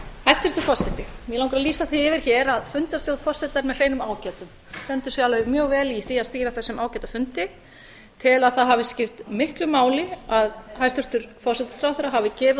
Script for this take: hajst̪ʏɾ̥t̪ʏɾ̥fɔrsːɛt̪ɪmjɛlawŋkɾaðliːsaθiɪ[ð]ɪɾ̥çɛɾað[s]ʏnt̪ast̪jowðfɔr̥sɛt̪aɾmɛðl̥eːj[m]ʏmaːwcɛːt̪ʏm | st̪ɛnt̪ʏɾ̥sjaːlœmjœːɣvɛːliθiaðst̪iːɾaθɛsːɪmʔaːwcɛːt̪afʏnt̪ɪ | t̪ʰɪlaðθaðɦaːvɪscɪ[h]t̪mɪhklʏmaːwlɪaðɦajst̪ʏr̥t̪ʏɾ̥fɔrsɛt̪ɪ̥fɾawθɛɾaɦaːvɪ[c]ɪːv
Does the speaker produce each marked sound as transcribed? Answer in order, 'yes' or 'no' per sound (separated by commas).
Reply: no, no, no, no, yes